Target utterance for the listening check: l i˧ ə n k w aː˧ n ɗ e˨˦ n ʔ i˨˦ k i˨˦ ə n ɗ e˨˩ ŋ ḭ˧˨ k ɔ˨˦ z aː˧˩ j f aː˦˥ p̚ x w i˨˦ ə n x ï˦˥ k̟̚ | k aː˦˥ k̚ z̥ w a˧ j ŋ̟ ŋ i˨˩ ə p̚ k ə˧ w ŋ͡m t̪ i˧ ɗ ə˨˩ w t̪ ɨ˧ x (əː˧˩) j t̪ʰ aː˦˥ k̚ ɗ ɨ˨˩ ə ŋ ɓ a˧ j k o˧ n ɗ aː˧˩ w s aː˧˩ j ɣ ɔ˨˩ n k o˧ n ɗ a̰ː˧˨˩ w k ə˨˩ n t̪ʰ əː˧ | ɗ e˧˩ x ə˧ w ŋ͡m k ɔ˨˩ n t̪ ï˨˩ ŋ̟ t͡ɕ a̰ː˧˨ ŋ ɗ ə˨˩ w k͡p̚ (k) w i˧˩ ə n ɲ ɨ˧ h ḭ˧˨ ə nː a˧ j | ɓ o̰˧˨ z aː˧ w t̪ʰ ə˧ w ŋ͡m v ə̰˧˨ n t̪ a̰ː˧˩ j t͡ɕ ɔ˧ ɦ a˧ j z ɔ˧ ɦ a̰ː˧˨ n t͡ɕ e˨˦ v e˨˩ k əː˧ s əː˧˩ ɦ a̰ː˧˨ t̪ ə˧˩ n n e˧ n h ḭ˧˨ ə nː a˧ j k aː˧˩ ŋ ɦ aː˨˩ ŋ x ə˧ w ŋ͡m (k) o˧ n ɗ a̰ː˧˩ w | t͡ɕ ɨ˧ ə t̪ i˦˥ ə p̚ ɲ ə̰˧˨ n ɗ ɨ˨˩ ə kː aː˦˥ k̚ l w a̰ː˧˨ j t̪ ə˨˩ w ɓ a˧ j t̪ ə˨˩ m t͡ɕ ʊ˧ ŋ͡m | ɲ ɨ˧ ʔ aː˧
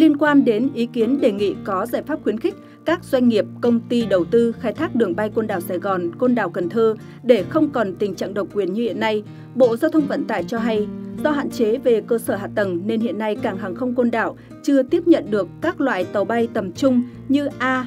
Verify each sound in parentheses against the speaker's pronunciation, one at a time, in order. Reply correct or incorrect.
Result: incorrect: aː˧˩, correct, correct

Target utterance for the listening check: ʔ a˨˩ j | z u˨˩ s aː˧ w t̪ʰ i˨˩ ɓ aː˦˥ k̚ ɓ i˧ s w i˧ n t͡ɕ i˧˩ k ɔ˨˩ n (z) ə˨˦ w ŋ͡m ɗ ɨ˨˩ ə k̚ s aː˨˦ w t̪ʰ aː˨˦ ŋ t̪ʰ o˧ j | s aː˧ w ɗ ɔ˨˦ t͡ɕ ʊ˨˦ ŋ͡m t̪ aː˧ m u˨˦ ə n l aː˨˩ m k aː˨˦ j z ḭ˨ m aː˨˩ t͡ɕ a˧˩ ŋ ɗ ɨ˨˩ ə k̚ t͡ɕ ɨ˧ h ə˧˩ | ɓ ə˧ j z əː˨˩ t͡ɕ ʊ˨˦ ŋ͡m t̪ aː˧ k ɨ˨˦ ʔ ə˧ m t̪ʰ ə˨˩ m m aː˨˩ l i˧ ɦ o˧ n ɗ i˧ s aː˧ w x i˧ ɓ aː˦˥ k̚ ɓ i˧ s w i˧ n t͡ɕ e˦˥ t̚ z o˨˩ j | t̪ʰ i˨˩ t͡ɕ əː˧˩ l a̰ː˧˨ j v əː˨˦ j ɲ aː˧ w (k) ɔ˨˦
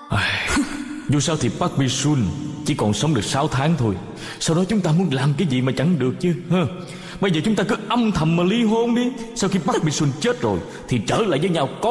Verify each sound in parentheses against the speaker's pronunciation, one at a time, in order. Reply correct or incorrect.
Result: incorrect: s, correct

